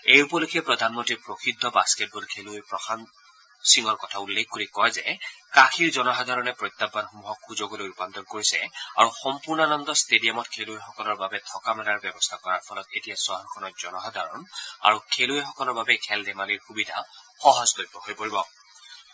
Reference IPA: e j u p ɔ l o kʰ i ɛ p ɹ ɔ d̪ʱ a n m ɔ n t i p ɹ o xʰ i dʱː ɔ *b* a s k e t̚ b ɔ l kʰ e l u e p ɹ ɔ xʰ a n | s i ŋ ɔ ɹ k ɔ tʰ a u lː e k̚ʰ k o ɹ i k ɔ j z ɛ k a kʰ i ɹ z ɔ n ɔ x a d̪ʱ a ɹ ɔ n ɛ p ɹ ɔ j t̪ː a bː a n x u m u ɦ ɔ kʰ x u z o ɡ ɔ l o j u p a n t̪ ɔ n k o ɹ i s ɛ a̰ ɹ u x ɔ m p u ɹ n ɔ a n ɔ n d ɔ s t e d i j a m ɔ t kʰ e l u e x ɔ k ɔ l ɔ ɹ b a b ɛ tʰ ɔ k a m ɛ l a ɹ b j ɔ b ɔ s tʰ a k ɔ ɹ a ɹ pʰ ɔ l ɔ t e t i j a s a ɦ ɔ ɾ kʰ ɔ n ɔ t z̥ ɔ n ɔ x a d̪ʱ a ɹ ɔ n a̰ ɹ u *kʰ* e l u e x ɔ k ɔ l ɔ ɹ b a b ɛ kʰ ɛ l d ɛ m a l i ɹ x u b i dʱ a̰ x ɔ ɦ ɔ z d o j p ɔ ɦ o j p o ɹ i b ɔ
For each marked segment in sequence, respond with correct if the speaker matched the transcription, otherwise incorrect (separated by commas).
correct, correct